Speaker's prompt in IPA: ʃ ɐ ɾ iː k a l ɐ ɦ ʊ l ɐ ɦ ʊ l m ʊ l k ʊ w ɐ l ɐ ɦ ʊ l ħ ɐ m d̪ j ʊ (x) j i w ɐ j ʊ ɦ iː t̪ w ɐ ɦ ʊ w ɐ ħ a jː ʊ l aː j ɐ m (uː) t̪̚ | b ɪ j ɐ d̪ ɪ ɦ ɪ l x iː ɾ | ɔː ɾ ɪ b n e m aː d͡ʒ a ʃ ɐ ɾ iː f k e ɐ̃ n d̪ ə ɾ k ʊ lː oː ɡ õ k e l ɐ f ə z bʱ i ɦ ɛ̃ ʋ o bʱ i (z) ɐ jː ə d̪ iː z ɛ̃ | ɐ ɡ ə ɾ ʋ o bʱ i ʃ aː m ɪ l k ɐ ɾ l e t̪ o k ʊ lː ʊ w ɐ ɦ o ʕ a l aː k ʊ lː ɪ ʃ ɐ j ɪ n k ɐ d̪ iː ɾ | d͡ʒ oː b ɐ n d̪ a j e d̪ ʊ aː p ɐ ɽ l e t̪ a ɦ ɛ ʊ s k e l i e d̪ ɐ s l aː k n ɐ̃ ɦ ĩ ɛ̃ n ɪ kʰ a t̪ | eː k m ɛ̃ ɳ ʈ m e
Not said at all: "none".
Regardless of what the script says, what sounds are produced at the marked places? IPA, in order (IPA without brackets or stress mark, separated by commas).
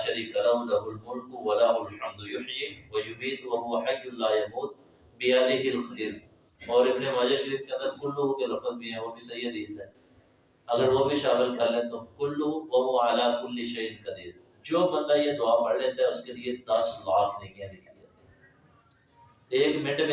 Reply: ħ, uː, s